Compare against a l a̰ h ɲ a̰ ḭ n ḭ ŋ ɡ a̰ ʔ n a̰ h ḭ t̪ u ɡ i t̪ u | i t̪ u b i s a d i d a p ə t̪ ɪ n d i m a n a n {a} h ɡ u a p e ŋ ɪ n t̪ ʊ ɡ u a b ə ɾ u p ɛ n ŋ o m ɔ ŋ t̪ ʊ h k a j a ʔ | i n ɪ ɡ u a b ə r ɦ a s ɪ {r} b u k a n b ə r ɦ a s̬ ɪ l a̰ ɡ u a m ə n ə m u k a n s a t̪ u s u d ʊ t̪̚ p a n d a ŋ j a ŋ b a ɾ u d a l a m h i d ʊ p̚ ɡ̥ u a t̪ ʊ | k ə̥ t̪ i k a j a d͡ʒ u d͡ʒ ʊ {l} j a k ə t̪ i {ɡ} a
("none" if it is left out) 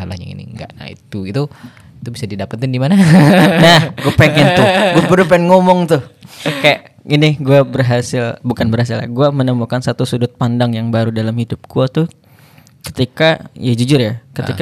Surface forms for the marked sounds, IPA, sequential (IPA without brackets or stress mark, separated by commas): a, l, r, k